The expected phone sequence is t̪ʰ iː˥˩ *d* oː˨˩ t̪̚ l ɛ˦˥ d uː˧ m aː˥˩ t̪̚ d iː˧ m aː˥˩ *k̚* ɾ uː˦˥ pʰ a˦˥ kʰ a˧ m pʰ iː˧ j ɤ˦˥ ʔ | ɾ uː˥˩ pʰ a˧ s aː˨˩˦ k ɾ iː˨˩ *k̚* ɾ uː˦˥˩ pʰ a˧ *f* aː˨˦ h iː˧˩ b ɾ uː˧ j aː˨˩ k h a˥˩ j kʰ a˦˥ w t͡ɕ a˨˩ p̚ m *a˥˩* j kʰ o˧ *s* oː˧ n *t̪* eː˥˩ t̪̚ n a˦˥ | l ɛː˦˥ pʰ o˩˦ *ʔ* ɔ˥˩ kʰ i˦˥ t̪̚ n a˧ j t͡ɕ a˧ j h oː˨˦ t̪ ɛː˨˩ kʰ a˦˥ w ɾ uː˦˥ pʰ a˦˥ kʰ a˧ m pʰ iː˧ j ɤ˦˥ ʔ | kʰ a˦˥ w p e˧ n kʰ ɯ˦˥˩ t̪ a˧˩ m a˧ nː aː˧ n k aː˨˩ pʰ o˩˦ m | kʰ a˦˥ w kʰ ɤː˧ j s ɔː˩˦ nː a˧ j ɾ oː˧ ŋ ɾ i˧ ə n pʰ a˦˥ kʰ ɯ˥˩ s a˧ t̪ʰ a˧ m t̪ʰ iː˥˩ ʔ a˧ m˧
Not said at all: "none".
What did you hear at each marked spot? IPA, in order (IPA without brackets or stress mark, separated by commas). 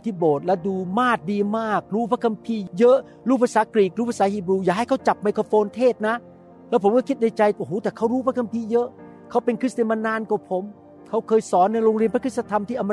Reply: b, k̚, k̚, s, a˧, f, t̪ʰ, k